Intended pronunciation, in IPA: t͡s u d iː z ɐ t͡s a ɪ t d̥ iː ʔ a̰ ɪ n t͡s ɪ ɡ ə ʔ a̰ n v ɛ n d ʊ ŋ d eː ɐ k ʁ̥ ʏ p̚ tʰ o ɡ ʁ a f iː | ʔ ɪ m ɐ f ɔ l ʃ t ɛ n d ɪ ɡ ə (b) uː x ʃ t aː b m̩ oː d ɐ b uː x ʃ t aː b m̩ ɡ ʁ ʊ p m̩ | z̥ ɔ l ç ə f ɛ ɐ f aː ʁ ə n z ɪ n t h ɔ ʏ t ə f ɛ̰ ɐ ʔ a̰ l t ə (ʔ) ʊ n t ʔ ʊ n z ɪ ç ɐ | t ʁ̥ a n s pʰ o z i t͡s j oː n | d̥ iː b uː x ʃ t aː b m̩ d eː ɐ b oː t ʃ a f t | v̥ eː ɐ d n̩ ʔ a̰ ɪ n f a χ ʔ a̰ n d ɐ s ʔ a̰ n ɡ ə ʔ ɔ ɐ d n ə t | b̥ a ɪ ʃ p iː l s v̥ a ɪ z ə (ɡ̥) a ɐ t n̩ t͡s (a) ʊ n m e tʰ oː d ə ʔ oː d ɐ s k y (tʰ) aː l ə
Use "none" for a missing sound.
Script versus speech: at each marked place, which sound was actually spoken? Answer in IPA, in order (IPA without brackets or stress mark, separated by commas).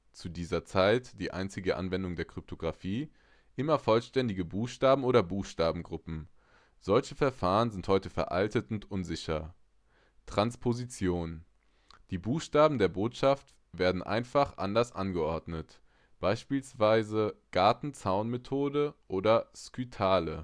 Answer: b, t, ɡ̥, a, tʰ